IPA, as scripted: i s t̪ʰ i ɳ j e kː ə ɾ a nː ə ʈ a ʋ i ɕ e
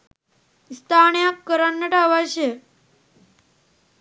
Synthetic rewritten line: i s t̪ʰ a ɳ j a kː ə ɾ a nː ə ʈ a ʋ a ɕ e

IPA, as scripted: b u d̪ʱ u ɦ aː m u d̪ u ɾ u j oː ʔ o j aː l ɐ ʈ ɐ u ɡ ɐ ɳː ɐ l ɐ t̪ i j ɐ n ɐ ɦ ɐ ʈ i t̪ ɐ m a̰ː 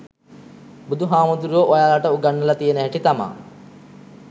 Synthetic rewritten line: b u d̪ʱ u ɦ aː m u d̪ u ɾ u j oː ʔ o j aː l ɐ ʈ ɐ u ɡ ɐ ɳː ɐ l ɐ t̪ i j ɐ n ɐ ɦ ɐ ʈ i t̪ ɐ m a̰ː

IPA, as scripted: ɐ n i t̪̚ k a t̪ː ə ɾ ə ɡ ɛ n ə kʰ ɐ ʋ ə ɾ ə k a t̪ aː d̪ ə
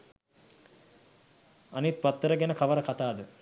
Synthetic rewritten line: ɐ n i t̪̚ p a t̪ː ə ɾ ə ɡ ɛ n ə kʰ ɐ ʋ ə ɾ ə k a t̪ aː d̪ ə

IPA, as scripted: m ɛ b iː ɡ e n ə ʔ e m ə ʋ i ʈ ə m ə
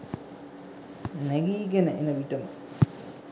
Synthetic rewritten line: n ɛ ɡ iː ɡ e n ə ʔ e n ə ʋ i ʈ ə m ə

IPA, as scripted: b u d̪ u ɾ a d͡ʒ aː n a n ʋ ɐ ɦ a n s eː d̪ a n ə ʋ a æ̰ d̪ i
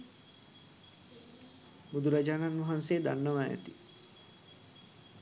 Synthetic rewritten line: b u d̪ u ɾ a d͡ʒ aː n a n ʋ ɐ ɦ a n s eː d̪ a nː ə ʋ a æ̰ t̪ i

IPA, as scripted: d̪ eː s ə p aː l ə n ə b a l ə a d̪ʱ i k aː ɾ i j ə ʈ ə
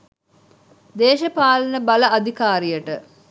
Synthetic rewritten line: d̪ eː ʃ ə p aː l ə n ə b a l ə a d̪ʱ i k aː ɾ i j ə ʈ ə

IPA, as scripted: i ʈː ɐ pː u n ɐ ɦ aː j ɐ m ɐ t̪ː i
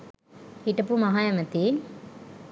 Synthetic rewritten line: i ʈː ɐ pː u m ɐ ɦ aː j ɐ m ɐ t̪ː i

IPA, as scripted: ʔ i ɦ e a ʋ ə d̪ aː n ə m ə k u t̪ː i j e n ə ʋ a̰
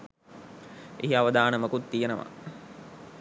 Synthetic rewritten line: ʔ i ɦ i a ʋ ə d̪ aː n ə m ə k u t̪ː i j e n ə ʋ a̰

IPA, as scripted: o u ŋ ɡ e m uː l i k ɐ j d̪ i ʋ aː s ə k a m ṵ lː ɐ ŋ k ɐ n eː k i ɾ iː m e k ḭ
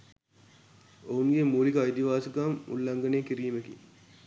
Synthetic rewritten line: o u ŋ ɡ e m uː l i k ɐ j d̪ i ʋ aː s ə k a m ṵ lː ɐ ŋ ɡ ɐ n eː k i ɾ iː m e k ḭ

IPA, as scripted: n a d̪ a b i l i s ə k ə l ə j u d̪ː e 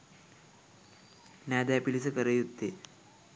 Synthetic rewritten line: n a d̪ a p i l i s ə k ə ɾ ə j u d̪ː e

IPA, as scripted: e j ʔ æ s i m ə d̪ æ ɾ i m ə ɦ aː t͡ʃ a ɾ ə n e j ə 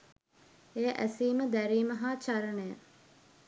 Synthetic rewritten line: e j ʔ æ s iː m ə d̪ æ ɾ iː m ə ɦ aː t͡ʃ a ɾ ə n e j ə

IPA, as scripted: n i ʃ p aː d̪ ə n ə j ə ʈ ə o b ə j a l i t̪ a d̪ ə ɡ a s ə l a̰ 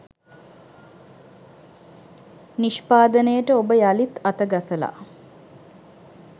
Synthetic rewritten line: n i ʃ p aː d̪ ə n ə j ə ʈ ə o b ə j a l i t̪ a t̪ ə ɡ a s ə l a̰

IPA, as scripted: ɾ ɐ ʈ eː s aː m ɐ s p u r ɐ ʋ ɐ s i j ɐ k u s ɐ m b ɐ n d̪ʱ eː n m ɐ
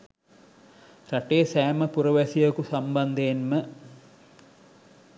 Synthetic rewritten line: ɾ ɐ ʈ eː s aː m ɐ p u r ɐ ʋ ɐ s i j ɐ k u s ɐ m b ɐ n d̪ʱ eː n m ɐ

